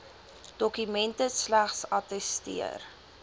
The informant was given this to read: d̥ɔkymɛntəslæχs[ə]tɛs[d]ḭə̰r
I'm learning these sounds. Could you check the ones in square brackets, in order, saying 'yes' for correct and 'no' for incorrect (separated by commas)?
no, no